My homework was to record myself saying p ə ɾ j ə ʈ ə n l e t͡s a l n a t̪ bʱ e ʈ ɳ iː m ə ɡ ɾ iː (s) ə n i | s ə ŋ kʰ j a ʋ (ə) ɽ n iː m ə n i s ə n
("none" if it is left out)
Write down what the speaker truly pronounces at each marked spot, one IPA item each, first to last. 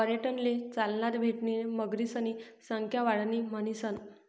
s, a

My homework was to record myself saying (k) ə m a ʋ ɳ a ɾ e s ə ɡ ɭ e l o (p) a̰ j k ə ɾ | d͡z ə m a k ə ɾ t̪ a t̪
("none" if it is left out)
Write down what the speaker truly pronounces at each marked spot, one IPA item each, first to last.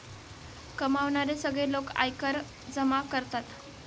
k, k

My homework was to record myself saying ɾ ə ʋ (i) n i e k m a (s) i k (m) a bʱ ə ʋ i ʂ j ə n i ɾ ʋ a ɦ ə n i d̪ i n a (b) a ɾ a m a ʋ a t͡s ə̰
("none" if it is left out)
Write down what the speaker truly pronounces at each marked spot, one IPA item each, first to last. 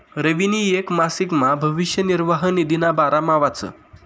i, s, m, b

